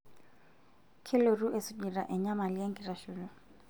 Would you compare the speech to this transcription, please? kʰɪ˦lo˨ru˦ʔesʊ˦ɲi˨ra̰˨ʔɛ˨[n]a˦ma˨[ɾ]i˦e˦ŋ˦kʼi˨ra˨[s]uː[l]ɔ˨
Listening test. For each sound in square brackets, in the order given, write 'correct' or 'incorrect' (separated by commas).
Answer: incorrect, incorrect, incorrect, correct